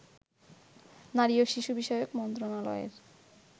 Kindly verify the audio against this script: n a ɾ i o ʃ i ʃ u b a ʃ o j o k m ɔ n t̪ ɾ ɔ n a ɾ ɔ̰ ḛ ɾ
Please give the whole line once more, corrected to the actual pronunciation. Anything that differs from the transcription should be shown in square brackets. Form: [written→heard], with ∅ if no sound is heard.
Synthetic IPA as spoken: n a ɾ i o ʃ i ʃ u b [a→i] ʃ [o→ɔ] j o k m ɔ n t̪ ɾ [ɔ→o] n a [ɾ→l] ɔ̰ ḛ ɾ